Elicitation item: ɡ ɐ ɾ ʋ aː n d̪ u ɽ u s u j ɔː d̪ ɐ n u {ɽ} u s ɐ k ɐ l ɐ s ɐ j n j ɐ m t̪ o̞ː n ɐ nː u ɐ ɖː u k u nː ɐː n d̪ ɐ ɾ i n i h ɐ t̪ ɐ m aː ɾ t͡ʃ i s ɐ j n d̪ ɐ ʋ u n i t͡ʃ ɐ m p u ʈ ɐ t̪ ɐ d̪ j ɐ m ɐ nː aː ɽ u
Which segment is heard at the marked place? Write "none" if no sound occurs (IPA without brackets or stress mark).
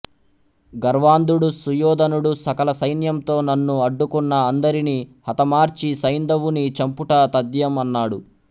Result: ɽ